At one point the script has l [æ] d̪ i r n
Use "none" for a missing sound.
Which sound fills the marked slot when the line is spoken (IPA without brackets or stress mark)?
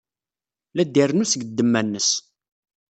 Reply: æ